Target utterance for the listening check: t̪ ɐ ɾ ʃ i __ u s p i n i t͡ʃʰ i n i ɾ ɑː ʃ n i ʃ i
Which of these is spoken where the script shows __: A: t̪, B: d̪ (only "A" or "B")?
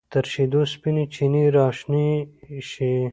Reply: B